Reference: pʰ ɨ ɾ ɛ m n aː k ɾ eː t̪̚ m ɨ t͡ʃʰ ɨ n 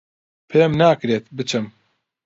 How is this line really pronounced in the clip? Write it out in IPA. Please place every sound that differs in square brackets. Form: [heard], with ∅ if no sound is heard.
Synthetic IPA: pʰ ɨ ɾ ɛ m n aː k ɾ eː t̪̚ [b] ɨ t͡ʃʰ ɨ [m]